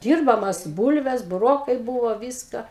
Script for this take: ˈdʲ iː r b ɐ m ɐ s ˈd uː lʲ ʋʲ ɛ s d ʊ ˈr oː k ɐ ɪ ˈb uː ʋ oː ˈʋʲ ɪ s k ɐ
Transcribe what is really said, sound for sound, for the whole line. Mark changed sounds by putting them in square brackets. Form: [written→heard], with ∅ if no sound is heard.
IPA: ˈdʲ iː r b ɐ m ɐ s [ˈd→ˈb] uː lʲ ʋʲ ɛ s [d→b] ʊ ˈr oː k ɐ ɪ ˈb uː ʋ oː ˈʋʲ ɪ s k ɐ